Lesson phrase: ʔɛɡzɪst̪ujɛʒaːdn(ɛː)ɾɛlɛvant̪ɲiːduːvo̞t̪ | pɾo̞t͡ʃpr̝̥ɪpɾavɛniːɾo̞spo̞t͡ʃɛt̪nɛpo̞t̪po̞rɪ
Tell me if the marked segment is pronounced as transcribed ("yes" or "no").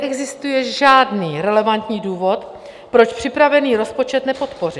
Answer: no